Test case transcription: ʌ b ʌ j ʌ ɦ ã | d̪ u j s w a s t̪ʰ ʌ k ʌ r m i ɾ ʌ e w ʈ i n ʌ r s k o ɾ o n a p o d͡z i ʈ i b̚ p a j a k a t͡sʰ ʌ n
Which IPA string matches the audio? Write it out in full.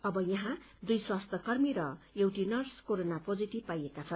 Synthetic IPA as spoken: ʌ b ʌ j ʌ ɦ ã | d̪ u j s w a s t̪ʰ ʌ k ʌ r m i ɾ ʌ e w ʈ i n ʌ r s k o ɾ o n a p o d͡z i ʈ i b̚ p a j e k a t͡sʰ ʌ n